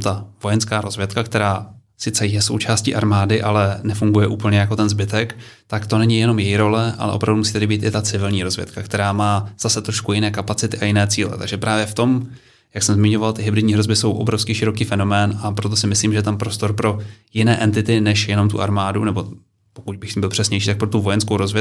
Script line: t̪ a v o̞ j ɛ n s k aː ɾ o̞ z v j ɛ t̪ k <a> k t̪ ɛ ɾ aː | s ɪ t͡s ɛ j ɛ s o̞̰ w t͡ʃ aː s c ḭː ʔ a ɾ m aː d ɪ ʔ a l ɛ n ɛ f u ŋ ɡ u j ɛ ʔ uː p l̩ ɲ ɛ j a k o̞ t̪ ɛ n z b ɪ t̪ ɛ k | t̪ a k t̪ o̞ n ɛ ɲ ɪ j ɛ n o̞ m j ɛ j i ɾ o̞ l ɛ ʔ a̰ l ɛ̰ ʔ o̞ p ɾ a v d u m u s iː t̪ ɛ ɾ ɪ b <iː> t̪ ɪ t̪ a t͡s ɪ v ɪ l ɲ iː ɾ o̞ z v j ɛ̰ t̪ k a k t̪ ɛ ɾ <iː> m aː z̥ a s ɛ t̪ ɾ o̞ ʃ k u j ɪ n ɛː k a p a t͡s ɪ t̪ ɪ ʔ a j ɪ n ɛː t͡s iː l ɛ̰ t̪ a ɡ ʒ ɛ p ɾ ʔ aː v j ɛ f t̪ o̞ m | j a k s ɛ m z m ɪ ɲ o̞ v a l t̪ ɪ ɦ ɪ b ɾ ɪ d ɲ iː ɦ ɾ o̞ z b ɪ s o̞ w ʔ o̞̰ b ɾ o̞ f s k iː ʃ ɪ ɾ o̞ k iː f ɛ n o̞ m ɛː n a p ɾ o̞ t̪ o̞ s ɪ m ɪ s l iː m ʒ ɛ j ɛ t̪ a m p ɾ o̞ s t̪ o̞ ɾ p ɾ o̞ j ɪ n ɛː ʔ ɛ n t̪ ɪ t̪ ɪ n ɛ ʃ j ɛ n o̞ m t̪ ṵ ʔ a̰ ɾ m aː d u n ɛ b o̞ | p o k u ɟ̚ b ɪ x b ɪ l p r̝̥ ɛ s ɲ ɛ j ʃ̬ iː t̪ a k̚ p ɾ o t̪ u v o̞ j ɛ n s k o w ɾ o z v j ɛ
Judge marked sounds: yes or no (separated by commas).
yes, yes, no